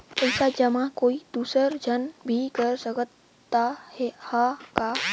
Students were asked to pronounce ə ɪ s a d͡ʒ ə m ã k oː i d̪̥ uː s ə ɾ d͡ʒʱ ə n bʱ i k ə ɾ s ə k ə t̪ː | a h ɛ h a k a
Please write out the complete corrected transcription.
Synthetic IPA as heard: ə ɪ s a d͡ʒ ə m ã k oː i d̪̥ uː s ə ɾ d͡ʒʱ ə n bʱ i k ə ɾ s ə k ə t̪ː | a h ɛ h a k a

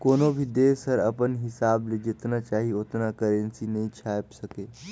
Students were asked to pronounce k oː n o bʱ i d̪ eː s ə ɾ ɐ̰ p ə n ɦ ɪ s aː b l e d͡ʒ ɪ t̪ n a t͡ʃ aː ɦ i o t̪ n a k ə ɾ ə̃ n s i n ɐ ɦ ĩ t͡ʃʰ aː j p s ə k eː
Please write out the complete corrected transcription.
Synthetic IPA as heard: k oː n o bʱ i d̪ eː s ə ɾ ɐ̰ p ə n ɦ ɪ s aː b l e d͡ʒ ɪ t̪ n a t͡ʃ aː ɦ i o t̪ n a k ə ɾ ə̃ n s i n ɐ ɦ ĩ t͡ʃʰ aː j p s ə k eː

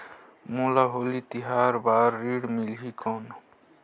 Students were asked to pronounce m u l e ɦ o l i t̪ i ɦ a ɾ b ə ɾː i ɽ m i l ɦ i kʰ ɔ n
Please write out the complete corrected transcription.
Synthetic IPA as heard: m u l a ɦ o l i t̪ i ɦ a ɾ b a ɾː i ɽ m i l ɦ i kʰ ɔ n

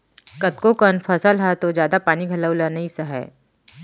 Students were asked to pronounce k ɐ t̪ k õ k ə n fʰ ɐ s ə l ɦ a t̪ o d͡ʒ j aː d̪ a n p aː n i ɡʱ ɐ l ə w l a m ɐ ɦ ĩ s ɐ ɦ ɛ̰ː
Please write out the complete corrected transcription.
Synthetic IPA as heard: k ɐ t̪ k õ k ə n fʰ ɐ s ə l ɦ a t̪ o d͡ʒ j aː d̪ a p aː n i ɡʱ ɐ l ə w l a n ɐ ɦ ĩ s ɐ ɦ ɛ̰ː

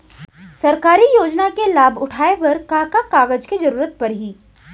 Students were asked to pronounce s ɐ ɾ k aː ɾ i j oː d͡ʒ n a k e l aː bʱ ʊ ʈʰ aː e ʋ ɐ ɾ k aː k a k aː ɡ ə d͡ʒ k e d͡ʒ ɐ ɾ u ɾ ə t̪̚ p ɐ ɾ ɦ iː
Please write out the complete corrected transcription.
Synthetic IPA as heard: s ɐ ɾ k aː ɾ i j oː d͡ʒ n a k e l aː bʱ ʊ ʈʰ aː e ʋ ɐ ɾ k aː k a k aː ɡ ə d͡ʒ k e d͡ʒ ɐ ɾ uː ɾ ə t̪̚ p ɐ ɾ ɦ iː

